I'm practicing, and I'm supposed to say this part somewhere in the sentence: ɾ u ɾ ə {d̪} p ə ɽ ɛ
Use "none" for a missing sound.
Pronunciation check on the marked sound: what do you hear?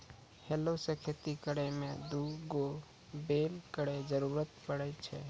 t̪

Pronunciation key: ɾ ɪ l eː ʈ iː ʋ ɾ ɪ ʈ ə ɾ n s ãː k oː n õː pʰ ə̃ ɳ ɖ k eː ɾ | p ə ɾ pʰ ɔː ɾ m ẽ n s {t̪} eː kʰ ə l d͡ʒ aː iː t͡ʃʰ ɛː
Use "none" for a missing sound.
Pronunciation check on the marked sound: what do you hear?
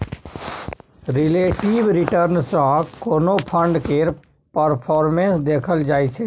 d̪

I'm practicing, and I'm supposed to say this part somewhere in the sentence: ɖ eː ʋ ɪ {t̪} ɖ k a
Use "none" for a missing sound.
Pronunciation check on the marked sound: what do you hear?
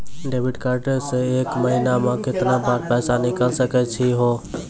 none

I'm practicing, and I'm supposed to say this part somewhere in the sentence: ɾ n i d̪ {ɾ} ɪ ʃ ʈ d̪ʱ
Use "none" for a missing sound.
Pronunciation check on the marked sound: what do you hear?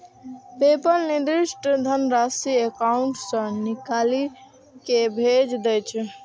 ɾ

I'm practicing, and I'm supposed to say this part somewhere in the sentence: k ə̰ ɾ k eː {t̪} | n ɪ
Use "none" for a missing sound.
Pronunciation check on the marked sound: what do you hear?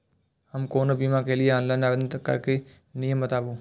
none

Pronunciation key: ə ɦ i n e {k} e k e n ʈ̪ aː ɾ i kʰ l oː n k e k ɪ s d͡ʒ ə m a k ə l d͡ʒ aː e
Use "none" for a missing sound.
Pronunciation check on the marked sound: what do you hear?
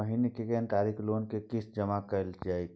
k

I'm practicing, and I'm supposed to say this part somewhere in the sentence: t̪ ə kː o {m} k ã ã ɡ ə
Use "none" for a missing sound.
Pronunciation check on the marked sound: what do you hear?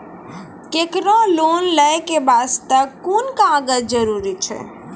n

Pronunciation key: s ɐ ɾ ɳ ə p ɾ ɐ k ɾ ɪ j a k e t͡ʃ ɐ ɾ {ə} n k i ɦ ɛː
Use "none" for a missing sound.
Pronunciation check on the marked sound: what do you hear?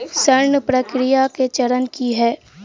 ə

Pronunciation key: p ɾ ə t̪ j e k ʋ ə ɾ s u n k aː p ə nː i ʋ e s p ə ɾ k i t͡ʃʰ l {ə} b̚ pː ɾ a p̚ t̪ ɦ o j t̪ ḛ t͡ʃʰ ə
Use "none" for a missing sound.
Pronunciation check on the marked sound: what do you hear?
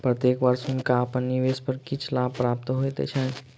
a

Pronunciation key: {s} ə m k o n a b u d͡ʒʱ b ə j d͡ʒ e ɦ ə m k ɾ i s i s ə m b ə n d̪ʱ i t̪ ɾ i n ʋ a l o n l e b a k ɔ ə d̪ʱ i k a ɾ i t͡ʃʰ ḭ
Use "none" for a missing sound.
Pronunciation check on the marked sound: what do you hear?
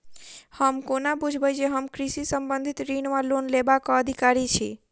h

